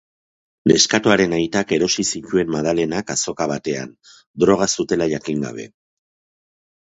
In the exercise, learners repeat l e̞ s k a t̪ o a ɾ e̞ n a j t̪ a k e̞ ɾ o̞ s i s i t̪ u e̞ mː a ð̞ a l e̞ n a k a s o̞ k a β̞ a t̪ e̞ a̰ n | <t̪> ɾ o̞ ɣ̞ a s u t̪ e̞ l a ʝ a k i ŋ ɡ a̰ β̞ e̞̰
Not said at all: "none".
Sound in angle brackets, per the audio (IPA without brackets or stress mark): d̪